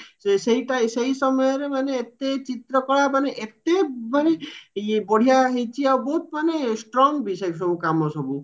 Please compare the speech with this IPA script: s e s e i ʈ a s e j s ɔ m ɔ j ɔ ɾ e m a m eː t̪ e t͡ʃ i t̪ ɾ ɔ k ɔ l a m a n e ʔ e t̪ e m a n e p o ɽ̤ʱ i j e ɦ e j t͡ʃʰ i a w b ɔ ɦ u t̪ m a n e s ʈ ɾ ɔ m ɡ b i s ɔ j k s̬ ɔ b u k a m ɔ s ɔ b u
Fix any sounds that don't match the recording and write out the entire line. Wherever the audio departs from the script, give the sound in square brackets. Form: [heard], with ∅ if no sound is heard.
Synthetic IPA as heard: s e s e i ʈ a s e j s ɔ m ɔ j ɔ ɾ e m a [n] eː t̪ e t͡ʃ i t̪ ɾ ɔ k ɔ [ɭ] a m a n e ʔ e t̪ e m a n e [b] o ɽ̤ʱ i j [a] ɦ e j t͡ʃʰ i a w b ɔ ɦ u t̪ m a n e s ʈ ɾ ɔ [ŋ] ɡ b i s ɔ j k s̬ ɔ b u k a m ɔ s ɔ b u